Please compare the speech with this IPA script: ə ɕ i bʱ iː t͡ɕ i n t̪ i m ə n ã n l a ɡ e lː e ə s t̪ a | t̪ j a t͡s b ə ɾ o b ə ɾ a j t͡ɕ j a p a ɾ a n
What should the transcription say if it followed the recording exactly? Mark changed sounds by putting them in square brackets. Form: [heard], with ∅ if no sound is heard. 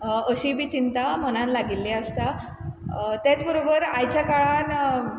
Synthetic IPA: ə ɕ i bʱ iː t͡ɕ i n t̪ [a] m ə n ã n l a ɡ [i] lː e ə s t̪ a | t̪ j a t͡s b ə ɾ o b ə ɾ a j t͡ɕ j a [k] a [ɭ] a n